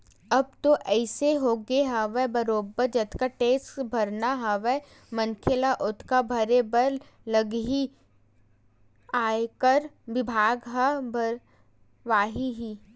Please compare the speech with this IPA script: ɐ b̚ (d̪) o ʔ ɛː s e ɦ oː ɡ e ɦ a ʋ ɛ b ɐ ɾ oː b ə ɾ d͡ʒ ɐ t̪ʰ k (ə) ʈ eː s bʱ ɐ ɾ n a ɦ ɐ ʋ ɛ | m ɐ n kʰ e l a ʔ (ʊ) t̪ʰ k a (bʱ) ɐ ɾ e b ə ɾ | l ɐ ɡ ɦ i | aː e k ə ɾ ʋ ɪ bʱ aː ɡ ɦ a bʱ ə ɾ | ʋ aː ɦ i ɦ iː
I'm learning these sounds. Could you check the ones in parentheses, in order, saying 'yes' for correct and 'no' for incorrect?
no, no, yes, yes

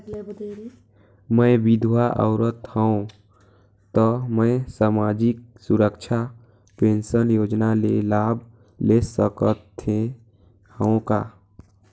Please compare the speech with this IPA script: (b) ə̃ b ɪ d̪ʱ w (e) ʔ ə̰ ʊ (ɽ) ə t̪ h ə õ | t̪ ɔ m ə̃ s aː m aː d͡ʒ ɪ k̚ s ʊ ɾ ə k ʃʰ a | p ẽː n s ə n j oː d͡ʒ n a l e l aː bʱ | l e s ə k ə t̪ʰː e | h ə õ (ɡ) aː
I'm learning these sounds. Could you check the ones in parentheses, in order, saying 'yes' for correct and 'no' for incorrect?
no, no, no, no

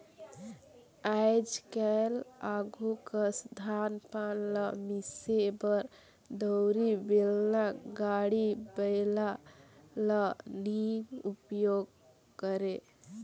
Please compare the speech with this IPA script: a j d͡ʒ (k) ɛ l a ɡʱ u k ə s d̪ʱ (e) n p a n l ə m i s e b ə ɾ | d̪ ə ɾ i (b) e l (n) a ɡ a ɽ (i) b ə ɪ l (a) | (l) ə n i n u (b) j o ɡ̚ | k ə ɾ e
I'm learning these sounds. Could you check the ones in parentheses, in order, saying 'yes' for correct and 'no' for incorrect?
yes, no, yes, yes, yes, yes, yes, no

